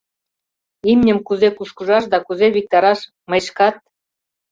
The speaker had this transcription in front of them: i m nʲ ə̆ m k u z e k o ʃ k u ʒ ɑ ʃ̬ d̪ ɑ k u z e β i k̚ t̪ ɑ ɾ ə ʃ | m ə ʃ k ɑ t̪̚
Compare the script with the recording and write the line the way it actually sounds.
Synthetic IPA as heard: i m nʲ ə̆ m k u z e k u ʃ k u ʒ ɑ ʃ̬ d̪ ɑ k u z e β i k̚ t̪ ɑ ɾ ɑ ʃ | m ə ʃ k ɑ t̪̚